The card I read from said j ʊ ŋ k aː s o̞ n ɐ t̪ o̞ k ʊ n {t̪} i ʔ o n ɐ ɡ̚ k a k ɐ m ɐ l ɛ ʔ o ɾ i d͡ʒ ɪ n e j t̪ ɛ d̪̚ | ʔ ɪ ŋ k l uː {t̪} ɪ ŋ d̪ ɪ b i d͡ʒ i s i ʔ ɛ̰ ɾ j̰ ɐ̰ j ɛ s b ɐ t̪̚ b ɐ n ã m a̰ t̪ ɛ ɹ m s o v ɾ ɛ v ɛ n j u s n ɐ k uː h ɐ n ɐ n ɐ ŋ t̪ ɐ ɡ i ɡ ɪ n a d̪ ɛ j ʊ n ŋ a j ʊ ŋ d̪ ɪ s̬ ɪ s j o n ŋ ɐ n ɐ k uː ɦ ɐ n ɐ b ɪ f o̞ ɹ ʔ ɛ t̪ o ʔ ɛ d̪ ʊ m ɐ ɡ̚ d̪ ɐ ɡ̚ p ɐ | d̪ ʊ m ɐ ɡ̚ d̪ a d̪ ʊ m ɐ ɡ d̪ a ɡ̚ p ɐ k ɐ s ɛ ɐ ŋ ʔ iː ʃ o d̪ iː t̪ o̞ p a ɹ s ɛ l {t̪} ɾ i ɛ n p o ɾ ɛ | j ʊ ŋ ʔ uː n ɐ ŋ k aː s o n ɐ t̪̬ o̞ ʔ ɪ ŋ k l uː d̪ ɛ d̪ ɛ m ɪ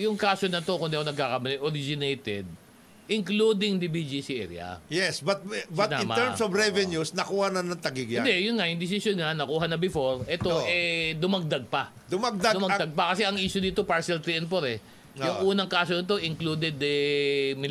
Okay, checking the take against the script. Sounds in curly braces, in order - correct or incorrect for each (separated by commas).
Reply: incorrect, incorrect, correct